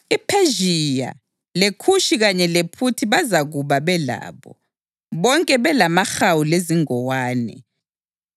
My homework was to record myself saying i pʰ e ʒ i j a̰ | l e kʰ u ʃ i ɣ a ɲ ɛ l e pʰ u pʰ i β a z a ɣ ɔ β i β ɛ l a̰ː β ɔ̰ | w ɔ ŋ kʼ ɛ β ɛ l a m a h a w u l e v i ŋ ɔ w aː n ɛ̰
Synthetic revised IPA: i pʰ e ʒ i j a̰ | l e kʰ u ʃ i ɣ a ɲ ɛ l e pʰ u tʰ i β a z a ɣ u β a β ɛ l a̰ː β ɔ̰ | β ɔ ŋ kʼ ɛ β ɛ l a m a x a w u l e z i ŋ ɔ w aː n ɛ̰

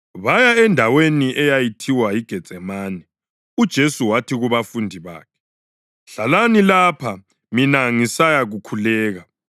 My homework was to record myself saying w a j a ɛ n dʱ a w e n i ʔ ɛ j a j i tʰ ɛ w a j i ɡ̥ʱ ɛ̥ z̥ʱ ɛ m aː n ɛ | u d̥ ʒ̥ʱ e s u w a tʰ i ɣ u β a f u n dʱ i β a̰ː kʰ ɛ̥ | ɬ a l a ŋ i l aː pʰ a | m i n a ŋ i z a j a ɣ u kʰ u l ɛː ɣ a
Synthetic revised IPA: β a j a ɛ n dʱ a w e n i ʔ ɛ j a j i tʰ i w a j i ɡ̥ʱ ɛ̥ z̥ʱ ɛ m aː n ɛ | u d̥ ʒ̥ʱ e s u w a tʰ i ɣ u β a f u n dʱ i β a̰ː kʰ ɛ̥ | ɬ a l a n i l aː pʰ a | m i n a ŋ i s a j a ɣ u kʰ u l ɛː ɣ a

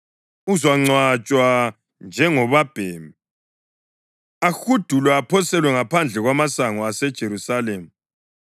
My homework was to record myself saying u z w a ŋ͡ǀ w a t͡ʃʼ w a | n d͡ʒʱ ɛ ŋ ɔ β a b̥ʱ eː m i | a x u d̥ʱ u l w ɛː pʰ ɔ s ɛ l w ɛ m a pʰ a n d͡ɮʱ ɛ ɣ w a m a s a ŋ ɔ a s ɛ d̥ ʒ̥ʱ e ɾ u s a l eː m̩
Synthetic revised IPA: u z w a ŋ͡ǀ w a t͡ʃʼ w a | n d͡ʒʱ ɛ ŋ ɔ β a b̥ʱ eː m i | a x u d̥ʱ u l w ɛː pʰ ɔ s ɛ l w ɛ ŋ a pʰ a n d͡ɮʱ ɛ ɣ w a m a s a ŋ ɔ a s ɛ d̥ ʒ̥ʱ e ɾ u s a l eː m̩

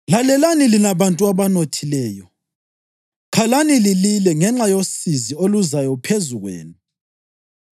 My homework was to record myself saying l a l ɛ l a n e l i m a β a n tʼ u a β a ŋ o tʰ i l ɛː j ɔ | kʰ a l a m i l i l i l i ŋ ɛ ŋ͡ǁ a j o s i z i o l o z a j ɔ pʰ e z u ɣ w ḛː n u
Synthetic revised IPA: l a l ɛ l a n i l i n a β a n tʼ u a β a n o tʰ i l ɛː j ɔ | kʰ a l a n i l i l i l ɛ ŋ ɛ ŋ͡ǁ a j o s i z i o l u z a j ɔ pʰ e z u ɣ w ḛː n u

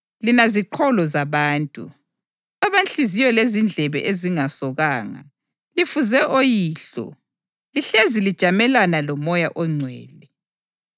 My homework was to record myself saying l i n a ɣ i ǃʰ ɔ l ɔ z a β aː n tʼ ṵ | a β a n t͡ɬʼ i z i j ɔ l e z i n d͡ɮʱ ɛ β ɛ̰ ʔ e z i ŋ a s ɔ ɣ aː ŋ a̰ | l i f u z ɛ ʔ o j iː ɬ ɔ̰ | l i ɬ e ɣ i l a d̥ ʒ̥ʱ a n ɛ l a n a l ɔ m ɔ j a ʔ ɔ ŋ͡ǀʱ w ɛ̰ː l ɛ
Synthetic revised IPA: l i n a z i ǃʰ ɔ l ɔ z a β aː n tʼ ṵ | a β a n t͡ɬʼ i z i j ɔ l e z i n d͡ɮʱ ɛ β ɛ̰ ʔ e z i ŋ a s ɔ ɣ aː ŋ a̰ | l i f u z ɛ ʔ o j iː ɬ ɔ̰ | l i ɬ e z i l i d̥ ʒ̥ʱ a m ɛ l a n a l ɔ m ɔ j a ʔ ɔ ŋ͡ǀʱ w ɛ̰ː l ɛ

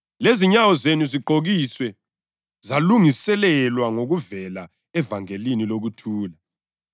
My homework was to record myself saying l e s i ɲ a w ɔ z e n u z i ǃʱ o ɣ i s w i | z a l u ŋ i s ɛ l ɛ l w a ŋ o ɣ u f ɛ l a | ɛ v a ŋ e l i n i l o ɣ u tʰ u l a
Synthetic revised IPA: l e z i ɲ a w ɔ z e n u z i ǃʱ o ɣ i s w ɛ | z a l u ŋ i s ɛ l ɛ l w a ŋ o ɣ u v ɛ l a | ɛ v a ŋ e l i n i l o ɣ u tʰ uː l a

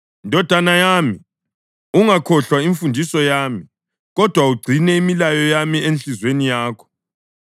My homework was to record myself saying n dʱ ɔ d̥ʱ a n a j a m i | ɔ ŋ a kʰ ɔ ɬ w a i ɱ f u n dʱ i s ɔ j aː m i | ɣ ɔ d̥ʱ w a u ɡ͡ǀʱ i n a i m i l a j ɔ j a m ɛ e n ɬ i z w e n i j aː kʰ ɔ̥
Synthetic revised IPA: n dʱ ɔ d̥ʱ a n a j a m i | u ŋ a kʰ ɔ ɬ w a i ɱ f u n dʱ i s ɔ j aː m i | ɣ ɔ d̥ʱ w a u ɡ͡ǀʱ i n ɛ i m i l a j ɔ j a m i e n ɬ i z w e n i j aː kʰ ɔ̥

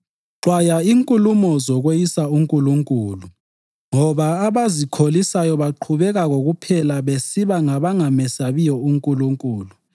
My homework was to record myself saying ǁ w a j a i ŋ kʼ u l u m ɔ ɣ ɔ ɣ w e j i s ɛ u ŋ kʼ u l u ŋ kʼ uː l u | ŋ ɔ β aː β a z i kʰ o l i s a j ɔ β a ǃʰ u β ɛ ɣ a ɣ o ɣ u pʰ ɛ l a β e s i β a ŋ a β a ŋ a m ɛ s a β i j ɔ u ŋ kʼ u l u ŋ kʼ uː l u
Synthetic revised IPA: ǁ w a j a i ŋ kʼ u l u m ɔ z ɔ ɣ w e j i s a u ŋ kʼ u l u ŋ kʼ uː l u | ŋ ɔ β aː β a z i kʰ o l i s a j ɔ β a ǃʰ u β ɛ ɣ a ɣ o ɣ u pʰ ɛ l a β e s i β a ŋ a β a ŋ a m ɛ s a β i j ɔ u ŋ kʼ u l u ŋ kʼ uː l u

